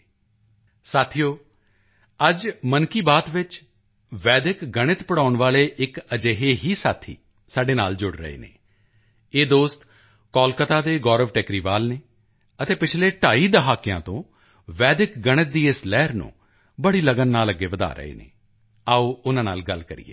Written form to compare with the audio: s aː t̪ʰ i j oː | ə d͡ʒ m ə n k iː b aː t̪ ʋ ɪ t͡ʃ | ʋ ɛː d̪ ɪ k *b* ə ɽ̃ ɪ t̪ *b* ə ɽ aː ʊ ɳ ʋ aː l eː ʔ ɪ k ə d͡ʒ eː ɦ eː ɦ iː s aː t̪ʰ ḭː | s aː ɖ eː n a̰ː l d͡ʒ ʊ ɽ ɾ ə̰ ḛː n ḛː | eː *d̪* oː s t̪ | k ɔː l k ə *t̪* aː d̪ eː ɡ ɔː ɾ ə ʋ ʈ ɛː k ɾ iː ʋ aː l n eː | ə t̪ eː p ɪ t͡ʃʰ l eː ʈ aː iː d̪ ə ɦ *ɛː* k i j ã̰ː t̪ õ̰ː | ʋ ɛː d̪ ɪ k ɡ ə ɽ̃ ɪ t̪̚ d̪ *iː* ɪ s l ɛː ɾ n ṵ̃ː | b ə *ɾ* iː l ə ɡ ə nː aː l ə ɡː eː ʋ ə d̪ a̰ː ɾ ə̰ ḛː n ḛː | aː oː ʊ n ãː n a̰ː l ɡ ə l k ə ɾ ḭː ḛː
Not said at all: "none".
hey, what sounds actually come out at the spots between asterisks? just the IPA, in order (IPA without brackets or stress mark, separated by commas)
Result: ɡ, p, d̪, t̪, aː, iː, ɽ